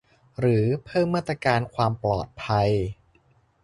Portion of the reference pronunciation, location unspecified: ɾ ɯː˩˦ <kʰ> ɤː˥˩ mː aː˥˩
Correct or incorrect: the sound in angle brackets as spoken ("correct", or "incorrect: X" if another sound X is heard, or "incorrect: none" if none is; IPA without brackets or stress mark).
incorrect: pʰ